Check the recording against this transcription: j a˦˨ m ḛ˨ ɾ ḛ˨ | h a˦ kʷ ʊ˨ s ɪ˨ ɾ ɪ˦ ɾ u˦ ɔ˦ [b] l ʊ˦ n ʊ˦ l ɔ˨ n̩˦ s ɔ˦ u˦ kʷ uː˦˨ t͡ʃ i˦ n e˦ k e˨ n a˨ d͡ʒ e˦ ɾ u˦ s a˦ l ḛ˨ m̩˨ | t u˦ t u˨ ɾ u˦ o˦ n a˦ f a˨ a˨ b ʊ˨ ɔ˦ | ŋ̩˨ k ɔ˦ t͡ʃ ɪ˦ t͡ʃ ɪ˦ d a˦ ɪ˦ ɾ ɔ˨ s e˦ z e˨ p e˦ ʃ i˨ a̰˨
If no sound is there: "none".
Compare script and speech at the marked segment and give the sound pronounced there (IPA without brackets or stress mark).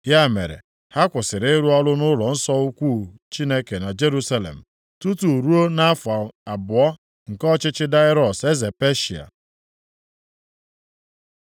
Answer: none